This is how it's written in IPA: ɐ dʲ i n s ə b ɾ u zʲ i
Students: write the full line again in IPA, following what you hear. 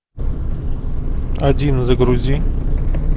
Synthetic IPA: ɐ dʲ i n z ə ɡ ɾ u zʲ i

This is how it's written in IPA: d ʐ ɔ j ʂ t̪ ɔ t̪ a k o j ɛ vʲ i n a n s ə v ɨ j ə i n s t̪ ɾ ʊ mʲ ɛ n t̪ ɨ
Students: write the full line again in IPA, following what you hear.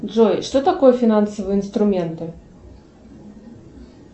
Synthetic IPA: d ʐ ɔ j ʂ t̪ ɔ t̪ a k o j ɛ fʲ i n a n s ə v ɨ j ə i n s t̪ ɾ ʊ mʲ ɛ n t̪ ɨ

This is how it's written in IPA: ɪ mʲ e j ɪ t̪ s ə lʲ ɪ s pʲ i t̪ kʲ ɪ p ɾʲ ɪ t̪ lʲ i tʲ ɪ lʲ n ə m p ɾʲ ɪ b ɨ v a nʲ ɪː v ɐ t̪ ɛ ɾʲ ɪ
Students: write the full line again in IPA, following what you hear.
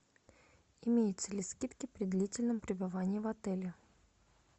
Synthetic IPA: ɪ mʲ e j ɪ t̪ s ə lʲ ɪ s kʲ i t̪ kʲ ɪ p ɾʲ ɪ d̪ lʲ i tʲ ɪ lʲ n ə m p ɾʲ ɪ b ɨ v a nʲ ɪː v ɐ t̪ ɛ lʲ ɪ

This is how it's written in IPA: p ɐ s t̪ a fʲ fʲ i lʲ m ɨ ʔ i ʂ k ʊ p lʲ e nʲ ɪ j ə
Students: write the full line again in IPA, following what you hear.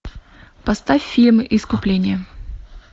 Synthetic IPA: p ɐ s t̪ a fʲ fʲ i lʲ m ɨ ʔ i s k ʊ p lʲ e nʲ ɪ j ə

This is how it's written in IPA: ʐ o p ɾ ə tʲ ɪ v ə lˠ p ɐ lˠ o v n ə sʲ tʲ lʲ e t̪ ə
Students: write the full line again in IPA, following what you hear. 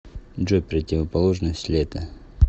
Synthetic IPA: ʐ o p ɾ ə tʲ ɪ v ə p ɐ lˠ o ʐ n ə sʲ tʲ lʲ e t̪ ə

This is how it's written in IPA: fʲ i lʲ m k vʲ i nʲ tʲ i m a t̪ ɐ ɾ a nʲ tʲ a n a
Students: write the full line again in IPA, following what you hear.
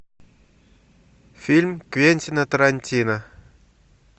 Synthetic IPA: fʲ i lʲ m k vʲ e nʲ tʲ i n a t̪ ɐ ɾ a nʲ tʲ i n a

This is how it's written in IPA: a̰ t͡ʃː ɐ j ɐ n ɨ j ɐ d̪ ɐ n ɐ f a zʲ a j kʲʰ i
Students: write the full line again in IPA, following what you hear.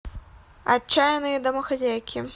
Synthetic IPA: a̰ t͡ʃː a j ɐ n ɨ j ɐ d̪ ɐ m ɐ x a zʲ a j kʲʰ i

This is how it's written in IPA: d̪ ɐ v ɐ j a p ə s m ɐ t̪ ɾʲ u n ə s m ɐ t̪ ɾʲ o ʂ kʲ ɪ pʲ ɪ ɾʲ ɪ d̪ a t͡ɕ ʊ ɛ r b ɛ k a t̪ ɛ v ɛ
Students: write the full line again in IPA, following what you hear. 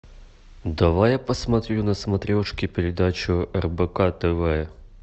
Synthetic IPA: d̪ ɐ v a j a p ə s m ɐ t̪ ɾʲ u n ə s m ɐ t̪ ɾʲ o ʂ kʲ ɪ pʲ ɪ ɾʲ ɪ d̪ a t͡ɕ ʊ ɛ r b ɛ k a t̪ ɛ v ɛ

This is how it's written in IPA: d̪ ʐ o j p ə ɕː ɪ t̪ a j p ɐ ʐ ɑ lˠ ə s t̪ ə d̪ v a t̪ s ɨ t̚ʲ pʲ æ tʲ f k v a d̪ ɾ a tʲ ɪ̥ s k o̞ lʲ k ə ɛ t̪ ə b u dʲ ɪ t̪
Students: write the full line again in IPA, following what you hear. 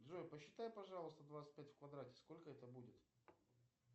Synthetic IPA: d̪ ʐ o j p ə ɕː ɪ t̪ a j p ɐ ʐ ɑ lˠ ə s t̪ ə d̪ v a t̪ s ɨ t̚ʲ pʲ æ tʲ f k v ɐ d̪ ɾ a tʲ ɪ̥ s k o̞ lʲ k ə ɛ t̪ ə b u dʲ ɪ t̪

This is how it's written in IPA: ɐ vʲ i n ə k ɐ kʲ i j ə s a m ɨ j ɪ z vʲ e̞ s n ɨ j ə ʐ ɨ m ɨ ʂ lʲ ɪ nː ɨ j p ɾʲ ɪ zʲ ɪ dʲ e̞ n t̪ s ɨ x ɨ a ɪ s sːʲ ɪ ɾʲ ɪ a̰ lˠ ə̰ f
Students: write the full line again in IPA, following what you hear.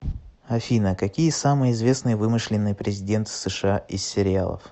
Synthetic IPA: ɐ fʲ i n ə k ɐ kʲ i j ə s a m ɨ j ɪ z vʲ e̞ s n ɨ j ə v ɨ m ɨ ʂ lʲ ɪ nː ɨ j p ɾʲ ɪ zʲ ɪ dʲ e̞ n t̪ s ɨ ʂ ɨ a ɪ s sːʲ ɪ ɾʲ ɪ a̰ lˠ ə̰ f

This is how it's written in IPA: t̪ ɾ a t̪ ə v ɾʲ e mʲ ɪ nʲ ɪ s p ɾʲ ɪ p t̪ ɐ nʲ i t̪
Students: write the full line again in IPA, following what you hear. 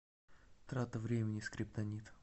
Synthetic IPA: t̪ ɾ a t̪ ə v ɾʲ e mʲ ɪ nʲ ɪ s k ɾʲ ɪ p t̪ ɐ nʲ i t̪

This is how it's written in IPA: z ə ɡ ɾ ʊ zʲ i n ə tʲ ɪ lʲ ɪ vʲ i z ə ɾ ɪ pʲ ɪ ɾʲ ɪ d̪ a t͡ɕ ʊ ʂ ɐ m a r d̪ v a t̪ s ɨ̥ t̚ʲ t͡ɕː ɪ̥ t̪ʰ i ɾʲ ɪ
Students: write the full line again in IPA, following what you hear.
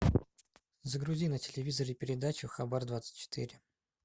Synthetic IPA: z ə ɡ ɾ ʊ zʲ i n ə tʲ ɪ lʲ ɪ vʲ i z ə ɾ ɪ pʲ ɪ ɾʲ ɪ d̪ a t͡ɕ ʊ x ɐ b a r d̪ v a t̪ s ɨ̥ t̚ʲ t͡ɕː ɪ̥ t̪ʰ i ɾʲ ɪ

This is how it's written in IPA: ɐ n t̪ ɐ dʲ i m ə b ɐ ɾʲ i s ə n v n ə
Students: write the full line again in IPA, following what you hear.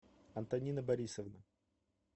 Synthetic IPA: ɐ n t̪ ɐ nʲ i n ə b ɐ ɾʲ i s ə v n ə

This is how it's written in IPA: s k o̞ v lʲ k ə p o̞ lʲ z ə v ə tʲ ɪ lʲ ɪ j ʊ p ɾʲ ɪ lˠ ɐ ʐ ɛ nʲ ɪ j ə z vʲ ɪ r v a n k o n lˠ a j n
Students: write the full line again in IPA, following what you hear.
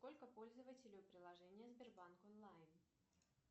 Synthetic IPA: s k o̞ lʲ k ə p o̞ lʲ z ə v ə tʲ ɪ lʲ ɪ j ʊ p ɾʲ ɪ lˠ ɐ ʐ ɛ nʲ ɪ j ə z bʲ ɪ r b a n k o n lˠ a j n

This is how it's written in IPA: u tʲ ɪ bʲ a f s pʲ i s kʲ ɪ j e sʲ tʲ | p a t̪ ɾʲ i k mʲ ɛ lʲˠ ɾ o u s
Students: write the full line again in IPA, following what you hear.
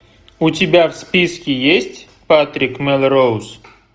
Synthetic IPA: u tʲ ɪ bʲ a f s pʲ i s kʲ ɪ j e sʲ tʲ | p a t̪ ɾʲ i k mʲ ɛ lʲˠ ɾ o w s

